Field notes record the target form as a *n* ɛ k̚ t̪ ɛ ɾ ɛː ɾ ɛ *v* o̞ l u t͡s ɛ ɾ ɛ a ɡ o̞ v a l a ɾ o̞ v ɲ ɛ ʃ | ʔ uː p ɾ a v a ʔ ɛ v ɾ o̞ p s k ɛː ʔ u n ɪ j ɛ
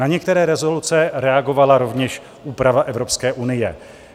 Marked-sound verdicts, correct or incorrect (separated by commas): incorrect, incorrect